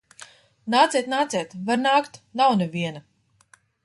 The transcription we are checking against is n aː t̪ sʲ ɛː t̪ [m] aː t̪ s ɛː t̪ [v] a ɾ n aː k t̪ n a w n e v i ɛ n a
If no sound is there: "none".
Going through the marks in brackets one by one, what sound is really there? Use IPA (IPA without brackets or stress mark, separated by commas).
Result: n, v